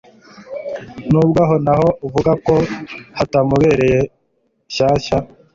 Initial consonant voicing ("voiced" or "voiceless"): voiced